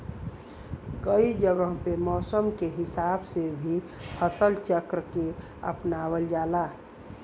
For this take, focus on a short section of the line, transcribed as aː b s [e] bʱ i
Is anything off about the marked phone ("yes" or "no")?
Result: no